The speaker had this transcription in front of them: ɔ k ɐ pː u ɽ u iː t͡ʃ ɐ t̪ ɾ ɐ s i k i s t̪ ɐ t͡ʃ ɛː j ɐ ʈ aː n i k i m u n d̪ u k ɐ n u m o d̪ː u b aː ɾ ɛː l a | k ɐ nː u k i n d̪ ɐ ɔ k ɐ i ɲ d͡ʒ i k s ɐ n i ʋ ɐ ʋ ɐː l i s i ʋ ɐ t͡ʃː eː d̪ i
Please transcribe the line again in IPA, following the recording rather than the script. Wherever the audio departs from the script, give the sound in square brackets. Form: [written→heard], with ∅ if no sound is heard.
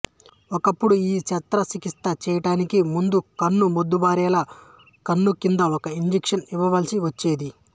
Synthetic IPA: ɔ k ɐ pː u ɽ u iː t͡ʃ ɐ t̪ ɾ ɐ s i k i s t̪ ɐ t͡ʃ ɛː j ɐ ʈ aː n i k i m u n d̪ u k ɐ [n→nː] u m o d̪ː u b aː ɾ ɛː l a | k ɐ nː u k i n d̪ ɐ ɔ k ɐ i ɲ d͡ʒ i k [s→ʂ] ɐ n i ʋ ɐ ʋ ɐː l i s i ʋ ɐ t͡ʃː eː d̪ i

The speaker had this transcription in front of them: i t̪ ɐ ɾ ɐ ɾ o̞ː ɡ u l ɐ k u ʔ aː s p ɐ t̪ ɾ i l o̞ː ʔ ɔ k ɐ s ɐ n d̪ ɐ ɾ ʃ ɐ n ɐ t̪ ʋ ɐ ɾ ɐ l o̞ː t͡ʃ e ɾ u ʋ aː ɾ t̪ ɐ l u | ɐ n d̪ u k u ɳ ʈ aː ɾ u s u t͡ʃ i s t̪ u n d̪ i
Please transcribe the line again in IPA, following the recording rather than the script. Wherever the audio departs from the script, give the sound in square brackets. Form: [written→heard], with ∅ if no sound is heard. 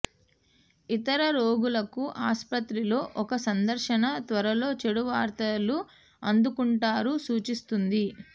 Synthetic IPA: i t̪ ɐ ɾ ɐ ɾ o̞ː ɡ u l ɐ k u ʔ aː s p ɐ t̪ ɾ i l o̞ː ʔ ɔ k ɐ s ɐ n d̪ ɐ ɾ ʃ ɐ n ɐ t̪ ʋ ɐ ɾ ɐ l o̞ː t͡ʃ e [ɾ→ɽ] u ʋ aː ɾ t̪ ɐ l u | ɐ n d̪ u k u ɳ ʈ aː ɾ u s [u→uː] t͡ʃ i s t̪ u n d̪ i

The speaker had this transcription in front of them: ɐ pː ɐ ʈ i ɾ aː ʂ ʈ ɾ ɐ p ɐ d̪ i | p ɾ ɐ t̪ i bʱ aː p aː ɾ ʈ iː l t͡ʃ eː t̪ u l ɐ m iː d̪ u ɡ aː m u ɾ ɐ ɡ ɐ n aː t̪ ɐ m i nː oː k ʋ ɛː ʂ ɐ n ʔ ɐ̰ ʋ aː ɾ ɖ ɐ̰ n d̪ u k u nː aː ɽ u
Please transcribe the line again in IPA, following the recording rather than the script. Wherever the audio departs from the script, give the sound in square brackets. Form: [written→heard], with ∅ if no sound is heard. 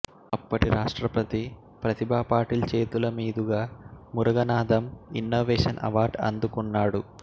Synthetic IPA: ɐ pː ɐ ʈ i ɾ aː ʂ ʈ ɾ ɐ p ɐ [d̪→t̪] i | p ɾ ɐ t̪ i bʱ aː p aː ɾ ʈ iː l t͡ʃ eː t̪ u l ɐ m iː d̪ u ɡ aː m u ɾ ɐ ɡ ɐ n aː [t̪→d̪] ɐ m i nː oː [k→∅] ʋ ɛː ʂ ɐ n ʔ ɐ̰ ʋ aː ɾ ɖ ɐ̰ n d̪ u k u nː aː ɽ u

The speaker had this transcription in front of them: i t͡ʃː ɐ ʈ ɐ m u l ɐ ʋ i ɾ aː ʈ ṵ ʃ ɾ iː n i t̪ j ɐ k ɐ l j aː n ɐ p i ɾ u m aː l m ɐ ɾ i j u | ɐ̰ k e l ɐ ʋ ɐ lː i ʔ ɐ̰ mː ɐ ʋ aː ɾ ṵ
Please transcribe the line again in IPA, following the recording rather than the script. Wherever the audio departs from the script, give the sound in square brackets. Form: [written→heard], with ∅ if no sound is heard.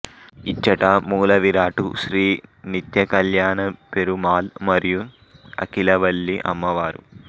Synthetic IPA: i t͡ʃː ɐ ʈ ɐ m [u→uː] l ɐ ʋ i ɾ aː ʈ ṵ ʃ ɾ iː n i t̪ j ɐ k ɐ l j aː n ɐ p [i→e] ɾ u m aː l m ɐ ɾ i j u | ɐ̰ k [e→i] l ɐ ʋ ɐ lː i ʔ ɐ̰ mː ɐ ʋ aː ɾ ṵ

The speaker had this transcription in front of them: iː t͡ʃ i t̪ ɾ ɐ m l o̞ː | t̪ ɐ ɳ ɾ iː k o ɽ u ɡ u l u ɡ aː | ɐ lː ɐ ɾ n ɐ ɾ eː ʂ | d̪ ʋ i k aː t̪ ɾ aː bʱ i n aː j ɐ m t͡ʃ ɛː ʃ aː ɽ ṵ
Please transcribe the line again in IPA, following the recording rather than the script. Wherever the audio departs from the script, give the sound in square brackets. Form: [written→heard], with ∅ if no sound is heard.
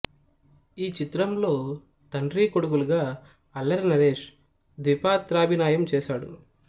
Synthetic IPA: iː t͡ʃ i t̪ ɾ ɐ m l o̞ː | t̪ ɐ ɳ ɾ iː k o ɽ u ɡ u l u ɡ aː | ɐ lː ɐ ɾ n ɐ ɾ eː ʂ | d̪ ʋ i [k→p] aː t̪ ɾ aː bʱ i n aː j ɐ m t͡ʃ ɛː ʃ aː ɽ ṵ

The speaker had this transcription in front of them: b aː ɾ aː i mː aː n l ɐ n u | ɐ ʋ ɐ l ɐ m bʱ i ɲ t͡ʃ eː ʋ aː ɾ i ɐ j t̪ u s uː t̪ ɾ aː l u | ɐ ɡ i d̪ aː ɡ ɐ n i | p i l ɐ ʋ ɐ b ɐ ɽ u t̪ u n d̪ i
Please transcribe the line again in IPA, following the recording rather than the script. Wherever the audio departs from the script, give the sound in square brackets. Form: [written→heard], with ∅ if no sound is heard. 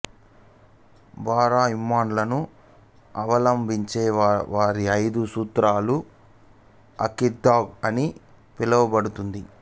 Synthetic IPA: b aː ɾ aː i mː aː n l ɐ n u | ɐ ʋ ɐ l ɐ m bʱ i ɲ t͡ʃ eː ʋ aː ɾ i ɐ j [t̪→d̪] u s uː t̪ ɾ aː l u | ɐ [ɡ→k] i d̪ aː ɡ ɐ n i | p i l ɐ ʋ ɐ b ɐ ɽ u t̪ u n d̪ i

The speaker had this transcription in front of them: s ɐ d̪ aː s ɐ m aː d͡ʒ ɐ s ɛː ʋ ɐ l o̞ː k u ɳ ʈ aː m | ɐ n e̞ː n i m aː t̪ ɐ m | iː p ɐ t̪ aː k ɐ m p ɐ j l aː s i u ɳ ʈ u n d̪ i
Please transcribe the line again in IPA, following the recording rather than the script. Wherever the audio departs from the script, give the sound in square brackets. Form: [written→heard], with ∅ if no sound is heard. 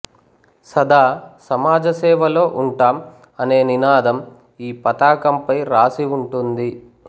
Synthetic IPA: s ɐ d̪ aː s ɐ m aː d͡ʒ ɐ s ɛː ʋ ɐ l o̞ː [k→ʔ] u ɳ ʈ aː m | ɐ n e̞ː n i [m→n] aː [t̪→d̪] ɐ m | iː p ɐ t̪ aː k ɐ m p ɐ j [l→ɾ] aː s i u ɳ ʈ u n d̪ i

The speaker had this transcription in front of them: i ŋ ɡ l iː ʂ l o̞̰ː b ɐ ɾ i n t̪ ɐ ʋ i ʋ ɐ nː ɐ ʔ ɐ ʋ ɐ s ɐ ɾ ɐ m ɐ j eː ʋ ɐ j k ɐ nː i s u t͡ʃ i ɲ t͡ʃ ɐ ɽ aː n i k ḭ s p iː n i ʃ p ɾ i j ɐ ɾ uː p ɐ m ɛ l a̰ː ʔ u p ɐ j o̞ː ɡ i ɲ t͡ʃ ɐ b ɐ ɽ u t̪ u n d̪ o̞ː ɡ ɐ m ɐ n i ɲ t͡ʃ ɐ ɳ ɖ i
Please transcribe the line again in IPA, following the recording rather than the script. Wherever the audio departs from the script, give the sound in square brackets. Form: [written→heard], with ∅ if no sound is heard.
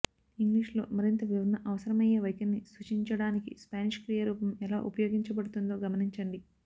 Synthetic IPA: i ŋ ɡ l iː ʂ l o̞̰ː [b→m] ɐ ɾ i n t̪ ɐ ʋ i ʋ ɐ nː ɐ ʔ ɐ ʋ ɐ s ɐ ɾ ɐ m ɐ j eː ʋ ɐ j k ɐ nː i s u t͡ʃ i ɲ t͡ʃ ɐ ɽ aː n i k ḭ s p [iː→aː] n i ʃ [p→k] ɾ i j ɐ ɾ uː p ɐ m ɛ l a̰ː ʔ u p ɐ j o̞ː ɡ i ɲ t͡ʃ ɐ b ɐ ɽ u t̪ u n d̪ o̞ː ɡ ɐ m ɐ n i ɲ t͡ʃ ɐ ɳ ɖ i

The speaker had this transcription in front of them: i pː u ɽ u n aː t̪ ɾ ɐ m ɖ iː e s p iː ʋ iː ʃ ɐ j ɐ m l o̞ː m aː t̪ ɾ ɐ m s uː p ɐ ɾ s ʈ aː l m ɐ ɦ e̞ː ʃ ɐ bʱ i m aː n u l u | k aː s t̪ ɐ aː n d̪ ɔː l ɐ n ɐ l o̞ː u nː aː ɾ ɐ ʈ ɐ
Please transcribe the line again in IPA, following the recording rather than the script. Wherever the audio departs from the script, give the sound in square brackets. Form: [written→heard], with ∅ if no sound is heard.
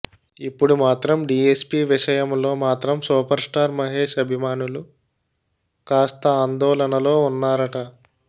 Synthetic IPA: i pː u ɽ u [n→m] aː t̪ ɾ ɐ m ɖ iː e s p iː ʋ [iː→i] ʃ ɐ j ɐ m l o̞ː m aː t̪ ɾ ɐ m s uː p ɐ ɾ s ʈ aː [l→ɾ] m ɐ ɦ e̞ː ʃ ɐ bʱ i m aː n u l u | k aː s t̪ ɐ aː n d̪ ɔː l ɐ n ɐ l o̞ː u nː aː ɾ ɐ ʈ ɐ

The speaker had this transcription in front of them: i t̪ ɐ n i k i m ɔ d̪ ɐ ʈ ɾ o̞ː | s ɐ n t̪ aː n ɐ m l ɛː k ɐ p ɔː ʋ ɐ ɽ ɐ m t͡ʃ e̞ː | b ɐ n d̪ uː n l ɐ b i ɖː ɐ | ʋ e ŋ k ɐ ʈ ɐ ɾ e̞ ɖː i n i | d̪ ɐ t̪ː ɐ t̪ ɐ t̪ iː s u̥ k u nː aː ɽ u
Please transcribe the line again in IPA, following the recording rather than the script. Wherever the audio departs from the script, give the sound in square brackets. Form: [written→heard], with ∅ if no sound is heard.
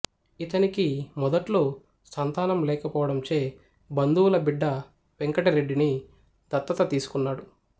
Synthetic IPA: i t̪ ɐ n i k i m ɔ d̪ ɐ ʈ [ɾ→l] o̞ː | s ɐ n t̪ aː n ɐ m l ɛː k ɐ p ɔː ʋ ɐ ɽ ɐ m t͡ʃ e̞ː | b ɐ n d̪ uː [n→∅] l ɐ b i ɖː ɐ | ʋ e ŋ k ɐ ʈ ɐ ɾ e̞ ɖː i n i | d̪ ɐ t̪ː ɐ t̪ ɐ t̪ iː s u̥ k u nː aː ɽ u

